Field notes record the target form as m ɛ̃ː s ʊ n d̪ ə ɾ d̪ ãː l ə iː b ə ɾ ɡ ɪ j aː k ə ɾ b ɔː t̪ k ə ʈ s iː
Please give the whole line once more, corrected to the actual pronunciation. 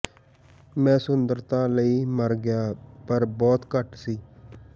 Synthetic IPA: m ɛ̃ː s ʊ n d̪ ə ɾ t̪ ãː l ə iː m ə ɾ ɡ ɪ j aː p ə ɾ b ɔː t̪ k ə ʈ s iː

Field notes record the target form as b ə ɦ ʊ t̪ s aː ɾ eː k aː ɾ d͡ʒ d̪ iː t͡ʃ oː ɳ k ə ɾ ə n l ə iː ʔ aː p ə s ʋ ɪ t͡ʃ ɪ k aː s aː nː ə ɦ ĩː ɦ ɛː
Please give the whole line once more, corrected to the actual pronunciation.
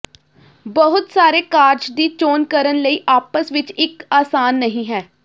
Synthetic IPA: b ə ɦ ʊ t̪ s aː ɾ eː k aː ɾ d͡ʒ d̪ iː t͡ʃ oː n k ə ɾ ə n l ə iː ʔ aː p ə s ʋ ɪ t͡ʃ ɪ k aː s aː nː ə ɦ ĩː ɦ ɛː

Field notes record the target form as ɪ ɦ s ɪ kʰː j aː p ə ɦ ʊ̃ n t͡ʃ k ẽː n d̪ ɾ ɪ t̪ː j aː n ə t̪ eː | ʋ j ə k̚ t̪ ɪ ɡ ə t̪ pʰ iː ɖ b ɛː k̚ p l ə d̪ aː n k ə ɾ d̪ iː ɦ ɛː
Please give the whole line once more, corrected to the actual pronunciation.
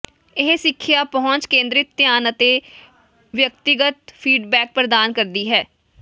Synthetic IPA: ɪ ɦ s ɪ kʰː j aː p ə ɦ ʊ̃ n t͡ʃ k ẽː n d̪ ɾ ɪ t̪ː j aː n ə t̪ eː | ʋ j ə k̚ t̪ ɪ ɡ ə t̪ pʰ iː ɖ b ɛː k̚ p ɾ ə d̪ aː n k ə ɾ d̪ iː ɦ ɛː

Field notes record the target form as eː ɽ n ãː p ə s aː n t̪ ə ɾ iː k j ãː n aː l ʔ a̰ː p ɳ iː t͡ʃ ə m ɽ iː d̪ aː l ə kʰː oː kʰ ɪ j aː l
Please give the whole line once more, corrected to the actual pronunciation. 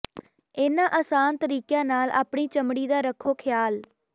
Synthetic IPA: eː n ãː ʔ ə s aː n t̪ ə ɾ iː k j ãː n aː l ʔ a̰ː p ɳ iː t͡ʃ ə m ɽ iː d̪ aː ɾ ə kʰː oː kʰ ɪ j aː l

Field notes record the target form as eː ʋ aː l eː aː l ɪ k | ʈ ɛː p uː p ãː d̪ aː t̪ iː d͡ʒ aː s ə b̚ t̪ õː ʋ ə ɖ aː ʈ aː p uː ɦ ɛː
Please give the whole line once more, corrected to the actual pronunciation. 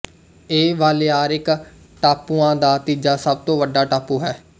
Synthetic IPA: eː ʋ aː l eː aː ɾ ɪ k | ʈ aː p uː ãː d̪ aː t̪ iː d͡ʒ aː s ə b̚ t̪ õː ʋ ə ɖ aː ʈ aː p uː ɦ ɛː

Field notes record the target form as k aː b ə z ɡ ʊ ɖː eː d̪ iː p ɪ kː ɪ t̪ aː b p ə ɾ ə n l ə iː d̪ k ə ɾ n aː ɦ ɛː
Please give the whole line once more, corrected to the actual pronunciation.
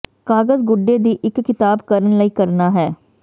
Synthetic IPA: k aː ɡ ə z ɡ ʊ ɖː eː d̪ iː ʔ ɪ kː ɪ t̪ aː b k ə ɾ ə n l ə iː k ə ɾ n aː ɦ ɛː

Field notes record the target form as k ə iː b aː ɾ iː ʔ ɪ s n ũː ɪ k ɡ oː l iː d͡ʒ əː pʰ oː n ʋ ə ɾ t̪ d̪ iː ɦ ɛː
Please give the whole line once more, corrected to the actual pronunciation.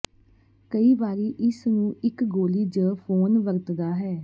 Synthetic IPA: k ə iː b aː ɾ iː ʔ ɪ s n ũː ɪ k ɡ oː l iː d͡ʒ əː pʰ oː n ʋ ə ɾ t̪ d̪ aː ɦ ɛː

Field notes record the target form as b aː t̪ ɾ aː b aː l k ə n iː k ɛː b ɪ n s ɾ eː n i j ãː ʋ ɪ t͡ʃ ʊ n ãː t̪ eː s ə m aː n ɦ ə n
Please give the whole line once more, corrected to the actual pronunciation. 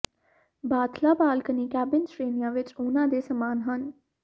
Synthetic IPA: b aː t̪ l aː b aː l k ə n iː k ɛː b ɪ n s ɾ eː n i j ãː ʋ ɪ t͡ʃ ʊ n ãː d̪ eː s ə m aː n ɦ ə n

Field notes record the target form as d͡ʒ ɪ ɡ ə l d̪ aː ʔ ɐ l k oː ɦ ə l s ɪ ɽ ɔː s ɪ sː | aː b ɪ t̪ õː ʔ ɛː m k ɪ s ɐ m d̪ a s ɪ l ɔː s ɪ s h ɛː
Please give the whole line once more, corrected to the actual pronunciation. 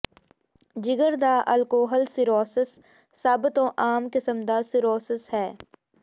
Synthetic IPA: d͡ʒ ɪ ɡ ə ɾ d̪ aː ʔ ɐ l k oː ɦ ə l s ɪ ɾ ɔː s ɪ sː | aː b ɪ t̪ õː ʔ aː m k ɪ s ə m d̪ a s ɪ ɾ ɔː s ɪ s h ɛː

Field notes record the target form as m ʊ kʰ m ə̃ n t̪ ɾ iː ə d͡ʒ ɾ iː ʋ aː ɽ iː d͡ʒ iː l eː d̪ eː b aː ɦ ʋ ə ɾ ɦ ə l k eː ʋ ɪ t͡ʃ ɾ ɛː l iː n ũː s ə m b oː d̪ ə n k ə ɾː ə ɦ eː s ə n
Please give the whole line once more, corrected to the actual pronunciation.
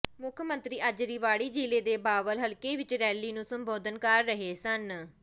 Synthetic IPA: m ʊ kʰ m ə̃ n t̪ ɾ iː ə d͡ʒ ɾ iː ʋ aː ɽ iː d͡ʒ iː l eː d̪ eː b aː ʋ ə l ɦ ə l k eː ʋ ɪ t͡ʃ ɾ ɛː l iː n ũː s ə m b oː d̪ ə n k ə ɾː ə ɦ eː s ə n

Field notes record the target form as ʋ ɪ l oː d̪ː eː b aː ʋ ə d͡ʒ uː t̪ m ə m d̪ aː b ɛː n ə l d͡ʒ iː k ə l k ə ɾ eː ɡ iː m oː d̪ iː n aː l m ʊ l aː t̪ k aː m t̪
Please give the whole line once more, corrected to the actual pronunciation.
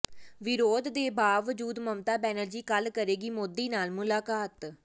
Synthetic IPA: ʋ ɪ ɾ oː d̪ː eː b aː ʋ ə d͡ʒ uː d̪ m ə m t̪ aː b ɛː n ə l d͡ʒ iː k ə l k ə ɾ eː ɡ iː m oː d̪ iː n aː l m ʊ l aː k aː t̪

